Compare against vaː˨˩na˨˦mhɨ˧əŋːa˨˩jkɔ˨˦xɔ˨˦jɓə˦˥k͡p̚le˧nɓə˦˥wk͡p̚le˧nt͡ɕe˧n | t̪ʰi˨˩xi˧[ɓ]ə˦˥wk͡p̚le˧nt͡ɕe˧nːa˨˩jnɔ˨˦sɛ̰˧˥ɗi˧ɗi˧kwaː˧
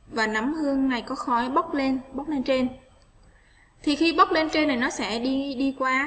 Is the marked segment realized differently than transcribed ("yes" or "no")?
no